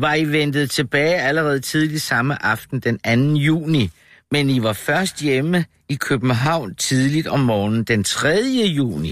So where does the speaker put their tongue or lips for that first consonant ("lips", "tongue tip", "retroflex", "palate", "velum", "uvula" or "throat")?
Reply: lips